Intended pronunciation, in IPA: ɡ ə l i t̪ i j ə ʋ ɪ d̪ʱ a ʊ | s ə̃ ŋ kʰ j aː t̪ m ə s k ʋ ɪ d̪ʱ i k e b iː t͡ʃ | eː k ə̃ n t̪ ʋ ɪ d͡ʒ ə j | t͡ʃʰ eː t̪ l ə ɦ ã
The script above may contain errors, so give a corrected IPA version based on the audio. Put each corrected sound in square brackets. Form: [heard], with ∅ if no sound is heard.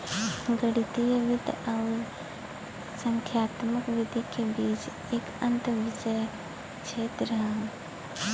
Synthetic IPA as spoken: ɡ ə [ɽ] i t̪ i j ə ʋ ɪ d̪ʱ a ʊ | s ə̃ ŋ kʰ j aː t̪ m ə [∅] k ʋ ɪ d̪ʱ i k e b iː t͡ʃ | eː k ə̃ n t̪ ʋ ɪ d͡ʒ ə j | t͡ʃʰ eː t̪ [ɾ] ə ɦ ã